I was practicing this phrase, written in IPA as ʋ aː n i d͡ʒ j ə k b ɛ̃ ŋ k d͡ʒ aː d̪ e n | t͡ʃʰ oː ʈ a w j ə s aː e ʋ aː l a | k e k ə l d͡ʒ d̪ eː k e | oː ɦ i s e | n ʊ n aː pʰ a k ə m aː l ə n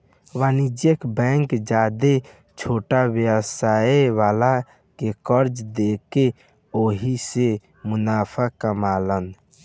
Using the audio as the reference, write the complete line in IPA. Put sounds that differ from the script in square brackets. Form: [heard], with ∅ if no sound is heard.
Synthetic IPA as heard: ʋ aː n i d͡ʒ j ə k b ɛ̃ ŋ k d͡ʒ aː d̪ e [∅] | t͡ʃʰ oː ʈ a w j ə s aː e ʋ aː l a | k e k ə [ɾ] d͡ʒ d̪ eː k e | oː ɦ i s e | [m] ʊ n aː pʰ a k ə m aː l ə n

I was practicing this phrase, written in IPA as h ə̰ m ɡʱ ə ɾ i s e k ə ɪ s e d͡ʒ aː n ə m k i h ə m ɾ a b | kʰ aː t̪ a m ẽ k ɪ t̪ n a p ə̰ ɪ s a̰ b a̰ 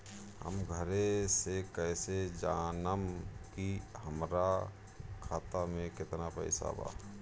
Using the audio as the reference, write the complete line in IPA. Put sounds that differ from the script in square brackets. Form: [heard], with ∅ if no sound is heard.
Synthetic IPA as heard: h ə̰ m ɡʱ ə ɾ [e] s e k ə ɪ s e d͡ʒ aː n ə m k i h ə m ɾ a [∅] | kʰ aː t̪ a m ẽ k ɪ t̪ n a p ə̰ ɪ s a̰ b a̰

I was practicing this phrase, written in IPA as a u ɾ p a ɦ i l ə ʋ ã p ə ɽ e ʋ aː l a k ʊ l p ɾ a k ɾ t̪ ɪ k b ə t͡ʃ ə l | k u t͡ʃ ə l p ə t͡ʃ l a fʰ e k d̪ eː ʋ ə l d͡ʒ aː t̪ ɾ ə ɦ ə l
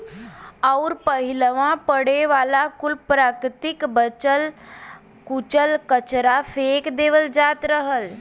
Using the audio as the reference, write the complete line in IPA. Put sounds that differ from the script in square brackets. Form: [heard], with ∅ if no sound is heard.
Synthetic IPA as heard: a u ɾ p [ə] ɦ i l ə ʋ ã p ə ɽ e ʋ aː l a k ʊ l p ɾ a k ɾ t̪ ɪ k b ə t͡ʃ ə l | k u t͡ʃ ə l [k] ə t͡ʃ [ɾ] a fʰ e k d̪ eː ʋ ə l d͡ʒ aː t̪ ɾ ə ɦ ə l

